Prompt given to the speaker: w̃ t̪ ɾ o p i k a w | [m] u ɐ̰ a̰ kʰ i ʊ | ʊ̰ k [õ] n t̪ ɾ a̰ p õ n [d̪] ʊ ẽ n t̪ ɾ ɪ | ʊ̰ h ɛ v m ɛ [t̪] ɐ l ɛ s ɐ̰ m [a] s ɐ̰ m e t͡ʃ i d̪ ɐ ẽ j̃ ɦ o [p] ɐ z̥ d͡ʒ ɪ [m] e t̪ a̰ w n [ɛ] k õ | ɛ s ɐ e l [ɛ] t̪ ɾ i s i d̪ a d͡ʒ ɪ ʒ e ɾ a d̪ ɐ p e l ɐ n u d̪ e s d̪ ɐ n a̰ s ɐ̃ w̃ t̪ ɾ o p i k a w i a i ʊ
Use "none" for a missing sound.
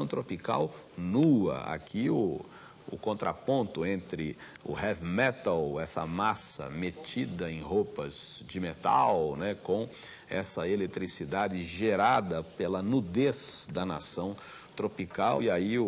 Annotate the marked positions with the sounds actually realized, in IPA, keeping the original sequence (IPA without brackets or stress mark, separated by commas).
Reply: n, õ, t̪, t̪, a, p, m, ɛ, e